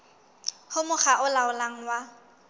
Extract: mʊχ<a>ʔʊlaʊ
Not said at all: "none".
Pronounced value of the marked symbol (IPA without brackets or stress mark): a